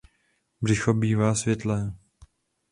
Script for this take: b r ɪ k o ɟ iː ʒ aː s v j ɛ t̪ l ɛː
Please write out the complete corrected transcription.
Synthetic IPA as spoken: b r ɪ x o b iː v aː s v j ɛ t̪ l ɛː